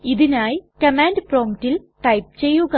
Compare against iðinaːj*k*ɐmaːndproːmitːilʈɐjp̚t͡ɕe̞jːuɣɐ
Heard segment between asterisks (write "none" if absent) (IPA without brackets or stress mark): k